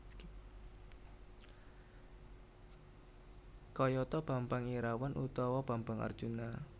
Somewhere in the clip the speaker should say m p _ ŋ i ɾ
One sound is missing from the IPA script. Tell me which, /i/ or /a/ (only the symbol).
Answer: a